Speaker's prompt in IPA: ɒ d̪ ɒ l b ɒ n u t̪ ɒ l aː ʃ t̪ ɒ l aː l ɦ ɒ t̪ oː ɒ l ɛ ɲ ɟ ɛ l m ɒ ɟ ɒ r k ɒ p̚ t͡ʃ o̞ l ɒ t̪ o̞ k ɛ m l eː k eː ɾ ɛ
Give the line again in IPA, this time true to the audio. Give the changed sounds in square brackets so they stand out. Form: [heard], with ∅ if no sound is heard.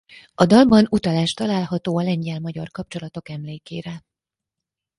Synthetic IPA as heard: ɒ d̪ ɒ l b ɒ n u t̪ ɒ l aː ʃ t̪ ɒ l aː l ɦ ɒ t̪ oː ɒ l ɛ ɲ ɟ ɛ l m ɒ ɟ ɒ r k ɒ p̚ t͡ʃ o̞ l ɒ t̪ o̞ k ɛ m l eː k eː ɾ ɛ